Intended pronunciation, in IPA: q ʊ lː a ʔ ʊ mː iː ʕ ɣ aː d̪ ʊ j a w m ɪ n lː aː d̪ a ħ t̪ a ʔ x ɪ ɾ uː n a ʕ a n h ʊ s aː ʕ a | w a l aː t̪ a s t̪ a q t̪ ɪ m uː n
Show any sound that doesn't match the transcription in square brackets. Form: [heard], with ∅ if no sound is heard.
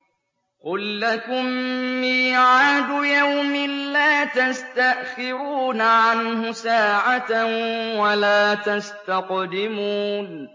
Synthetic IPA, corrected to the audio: q ʊ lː a [k] ʊ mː iː ʕ [ʕ] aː d̪ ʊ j a w m ɪ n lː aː [t̪] a [s] t̪ a ʔ x ɪ ɾ uː n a ʕ a n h ʊ s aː ʕ a | w a l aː t̪ a s t̪ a q [d̪] ɪ m uː n